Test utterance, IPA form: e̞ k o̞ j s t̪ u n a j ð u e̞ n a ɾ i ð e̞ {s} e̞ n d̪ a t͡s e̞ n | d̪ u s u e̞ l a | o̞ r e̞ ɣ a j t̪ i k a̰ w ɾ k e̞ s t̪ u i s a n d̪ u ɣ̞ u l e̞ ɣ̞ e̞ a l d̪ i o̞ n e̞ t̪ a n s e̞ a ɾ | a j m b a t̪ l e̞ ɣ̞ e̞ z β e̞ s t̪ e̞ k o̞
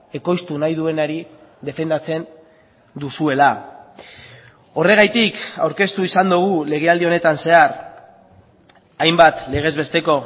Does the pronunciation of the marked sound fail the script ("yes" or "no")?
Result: yes